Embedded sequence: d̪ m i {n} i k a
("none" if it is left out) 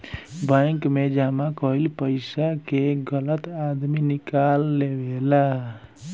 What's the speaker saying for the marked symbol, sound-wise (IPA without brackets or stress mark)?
n